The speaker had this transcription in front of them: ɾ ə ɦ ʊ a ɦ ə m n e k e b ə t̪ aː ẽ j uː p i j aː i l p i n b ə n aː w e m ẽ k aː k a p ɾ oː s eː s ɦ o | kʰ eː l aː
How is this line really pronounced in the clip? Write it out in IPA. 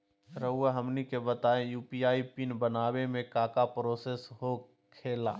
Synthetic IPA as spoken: ɾ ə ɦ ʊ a ɦ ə m n i k e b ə t̪ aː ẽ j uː p i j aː i p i n b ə n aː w e m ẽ k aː k a p ɾ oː s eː s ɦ o | kʰ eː l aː